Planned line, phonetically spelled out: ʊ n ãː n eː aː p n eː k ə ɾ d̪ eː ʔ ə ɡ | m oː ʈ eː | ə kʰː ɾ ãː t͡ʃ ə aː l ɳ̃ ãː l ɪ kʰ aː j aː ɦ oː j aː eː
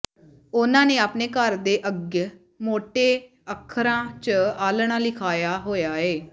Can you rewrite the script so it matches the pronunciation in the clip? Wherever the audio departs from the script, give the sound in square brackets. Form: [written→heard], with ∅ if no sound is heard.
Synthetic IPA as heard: ʊ n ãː n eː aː p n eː k ə ɾ d̪ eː ʔ ə ɡ | m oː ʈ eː | ə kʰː ɾ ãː t͡ʃ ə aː l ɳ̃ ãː l ɪ kʰ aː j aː ɦ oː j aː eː